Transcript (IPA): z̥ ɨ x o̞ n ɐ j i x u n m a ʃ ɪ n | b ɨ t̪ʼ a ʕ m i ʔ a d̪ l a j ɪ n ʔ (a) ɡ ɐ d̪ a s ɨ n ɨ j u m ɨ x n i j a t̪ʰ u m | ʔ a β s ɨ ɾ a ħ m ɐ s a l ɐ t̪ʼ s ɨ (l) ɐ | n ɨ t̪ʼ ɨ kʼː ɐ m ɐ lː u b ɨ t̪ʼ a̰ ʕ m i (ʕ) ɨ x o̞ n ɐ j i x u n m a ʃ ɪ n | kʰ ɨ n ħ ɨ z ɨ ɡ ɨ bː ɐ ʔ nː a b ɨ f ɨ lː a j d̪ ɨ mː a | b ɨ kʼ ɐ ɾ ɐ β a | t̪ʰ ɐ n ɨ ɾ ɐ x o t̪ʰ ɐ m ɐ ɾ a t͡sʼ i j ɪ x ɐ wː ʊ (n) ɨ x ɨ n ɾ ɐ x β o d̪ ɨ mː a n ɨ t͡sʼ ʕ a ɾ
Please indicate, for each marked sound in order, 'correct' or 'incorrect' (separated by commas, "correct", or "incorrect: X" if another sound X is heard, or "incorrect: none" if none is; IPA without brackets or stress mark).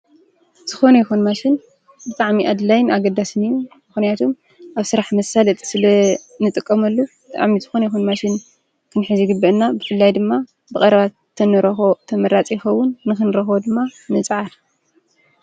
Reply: correct, correct, incorrect: z, incorrect: nː